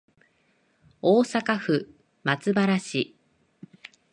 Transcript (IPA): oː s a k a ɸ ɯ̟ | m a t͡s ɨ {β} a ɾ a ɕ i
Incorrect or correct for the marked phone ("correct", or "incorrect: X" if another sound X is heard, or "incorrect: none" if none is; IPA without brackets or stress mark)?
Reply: incorrect: b